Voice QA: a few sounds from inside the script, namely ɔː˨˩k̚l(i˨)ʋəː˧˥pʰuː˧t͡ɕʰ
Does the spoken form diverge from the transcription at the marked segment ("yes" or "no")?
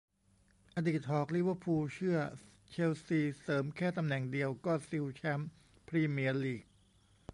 yes